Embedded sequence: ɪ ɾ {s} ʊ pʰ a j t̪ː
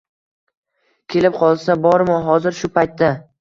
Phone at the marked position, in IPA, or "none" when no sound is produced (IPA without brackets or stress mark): ʃ